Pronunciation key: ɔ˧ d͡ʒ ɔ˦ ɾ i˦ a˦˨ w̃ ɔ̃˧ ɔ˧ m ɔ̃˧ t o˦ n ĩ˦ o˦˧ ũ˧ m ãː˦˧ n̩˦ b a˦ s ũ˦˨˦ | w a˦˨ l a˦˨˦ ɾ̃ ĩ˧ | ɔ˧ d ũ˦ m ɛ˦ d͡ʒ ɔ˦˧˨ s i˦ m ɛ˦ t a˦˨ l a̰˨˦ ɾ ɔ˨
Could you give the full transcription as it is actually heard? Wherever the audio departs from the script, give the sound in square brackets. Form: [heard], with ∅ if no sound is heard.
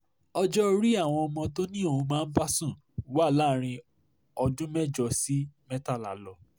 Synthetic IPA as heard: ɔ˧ d͡ʒ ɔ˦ ɾ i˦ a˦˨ w̃ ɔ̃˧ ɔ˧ m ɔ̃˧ t o˦ n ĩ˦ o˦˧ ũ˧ m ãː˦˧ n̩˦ b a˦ s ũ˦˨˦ | w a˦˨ l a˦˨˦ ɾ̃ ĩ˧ | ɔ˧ d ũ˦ m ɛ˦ d͡ʒ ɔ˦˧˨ s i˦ m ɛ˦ t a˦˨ l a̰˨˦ [l] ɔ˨